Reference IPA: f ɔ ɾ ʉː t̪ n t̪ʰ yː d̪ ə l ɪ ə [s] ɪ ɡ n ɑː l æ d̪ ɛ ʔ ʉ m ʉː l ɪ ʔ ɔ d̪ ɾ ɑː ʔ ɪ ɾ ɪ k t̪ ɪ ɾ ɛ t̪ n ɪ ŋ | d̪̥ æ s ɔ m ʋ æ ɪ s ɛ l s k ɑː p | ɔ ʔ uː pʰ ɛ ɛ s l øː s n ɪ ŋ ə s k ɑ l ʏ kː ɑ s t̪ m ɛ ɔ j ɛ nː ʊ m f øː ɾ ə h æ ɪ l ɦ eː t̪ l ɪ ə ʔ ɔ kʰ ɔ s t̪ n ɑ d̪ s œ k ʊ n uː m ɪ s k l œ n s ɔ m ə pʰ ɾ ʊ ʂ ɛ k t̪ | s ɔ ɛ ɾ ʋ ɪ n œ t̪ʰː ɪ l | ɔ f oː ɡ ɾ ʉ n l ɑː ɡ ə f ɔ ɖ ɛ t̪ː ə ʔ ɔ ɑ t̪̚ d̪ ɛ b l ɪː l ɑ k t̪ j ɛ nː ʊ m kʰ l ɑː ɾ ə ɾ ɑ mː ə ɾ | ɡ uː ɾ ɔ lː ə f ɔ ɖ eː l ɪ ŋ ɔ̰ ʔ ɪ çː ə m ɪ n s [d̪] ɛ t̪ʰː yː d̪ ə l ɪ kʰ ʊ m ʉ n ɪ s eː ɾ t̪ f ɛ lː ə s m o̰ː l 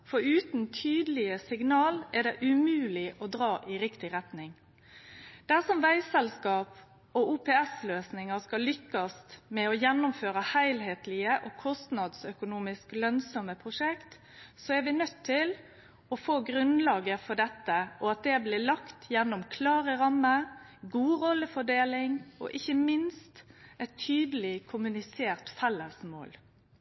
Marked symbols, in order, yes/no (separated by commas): yes, no